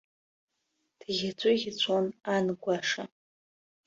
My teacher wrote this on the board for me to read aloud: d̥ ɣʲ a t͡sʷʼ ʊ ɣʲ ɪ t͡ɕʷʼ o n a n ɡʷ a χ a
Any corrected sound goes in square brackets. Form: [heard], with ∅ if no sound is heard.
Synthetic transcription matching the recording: d̥ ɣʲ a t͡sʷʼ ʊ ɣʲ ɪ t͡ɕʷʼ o n a n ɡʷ a [ʂ] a